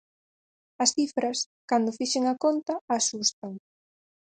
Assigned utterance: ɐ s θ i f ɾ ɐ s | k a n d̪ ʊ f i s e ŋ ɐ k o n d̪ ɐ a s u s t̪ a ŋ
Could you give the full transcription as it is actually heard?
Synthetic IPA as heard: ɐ s θ i f ɾ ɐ s | k a n d̪ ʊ f i ʃ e ŋ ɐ k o n t̪ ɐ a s u s t̪ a ŋ